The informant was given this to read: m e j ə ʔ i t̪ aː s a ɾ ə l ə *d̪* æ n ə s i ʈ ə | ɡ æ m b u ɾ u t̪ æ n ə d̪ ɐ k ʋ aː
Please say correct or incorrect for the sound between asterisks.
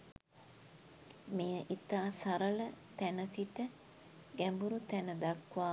incorrect